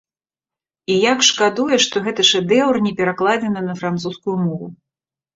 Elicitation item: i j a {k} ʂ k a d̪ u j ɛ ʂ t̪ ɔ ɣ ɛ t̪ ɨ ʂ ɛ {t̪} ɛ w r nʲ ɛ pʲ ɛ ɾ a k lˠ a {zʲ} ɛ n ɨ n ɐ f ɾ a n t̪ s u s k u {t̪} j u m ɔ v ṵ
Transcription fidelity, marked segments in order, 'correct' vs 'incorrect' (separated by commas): correct, incorrect, incorrect, incorrect